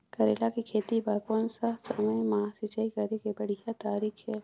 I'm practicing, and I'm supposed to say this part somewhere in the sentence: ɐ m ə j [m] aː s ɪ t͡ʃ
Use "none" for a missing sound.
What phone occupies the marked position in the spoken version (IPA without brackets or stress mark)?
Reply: m